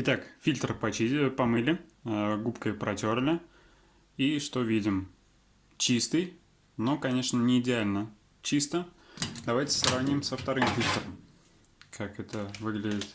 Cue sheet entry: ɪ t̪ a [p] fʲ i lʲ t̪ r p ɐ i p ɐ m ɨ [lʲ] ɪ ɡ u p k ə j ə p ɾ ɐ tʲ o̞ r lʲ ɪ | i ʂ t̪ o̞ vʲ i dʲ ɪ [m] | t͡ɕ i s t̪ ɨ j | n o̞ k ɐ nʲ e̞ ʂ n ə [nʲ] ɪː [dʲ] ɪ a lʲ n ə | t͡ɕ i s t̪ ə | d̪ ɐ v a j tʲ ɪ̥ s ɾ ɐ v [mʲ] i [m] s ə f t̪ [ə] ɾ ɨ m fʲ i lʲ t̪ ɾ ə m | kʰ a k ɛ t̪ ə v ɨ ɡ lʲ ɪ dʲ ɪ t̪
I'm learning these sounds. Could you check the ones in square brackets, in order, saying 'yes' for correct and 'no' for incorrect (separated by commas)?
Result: no, yes, yes, yes, yes, no, yes, no